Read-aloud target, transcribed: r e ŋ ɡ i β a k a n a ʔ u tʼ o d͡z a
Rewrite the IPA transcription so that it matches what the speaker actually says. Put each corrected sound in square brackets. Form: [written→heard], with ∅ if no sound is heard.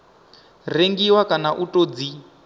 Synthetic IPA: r e ŋ ɡ i [β→w] a k a n a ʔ u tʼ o d͡z [a→i]